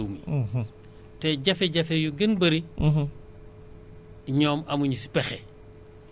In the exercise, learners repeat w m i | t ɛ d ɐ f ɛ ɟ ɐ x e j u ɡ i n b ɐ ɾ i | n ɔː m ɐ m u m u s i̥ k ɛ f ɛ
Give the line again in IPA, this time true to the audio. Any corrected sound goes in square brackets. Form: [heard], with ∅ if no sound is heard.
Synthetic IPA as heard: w m i | t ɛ [ɟ] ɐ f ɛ ɟ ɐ [f] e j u ɡ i n b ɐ ɾ i | [ɲ] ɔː m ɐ m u [ɲ] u s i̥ [p] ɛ [x] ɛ